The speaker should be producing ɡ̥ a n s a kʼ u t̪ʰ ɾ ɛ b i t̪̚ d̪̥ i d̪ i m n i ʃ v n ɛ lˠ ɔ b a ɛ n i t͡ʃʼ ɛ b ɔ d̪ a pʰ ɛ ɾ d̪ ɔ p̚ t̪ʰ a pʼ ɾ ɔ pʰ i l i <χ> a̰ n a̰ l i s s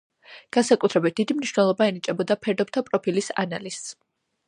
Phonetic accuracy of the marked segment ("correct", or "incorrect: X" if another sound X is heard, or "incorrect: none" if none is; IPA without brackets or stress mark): incorrect: s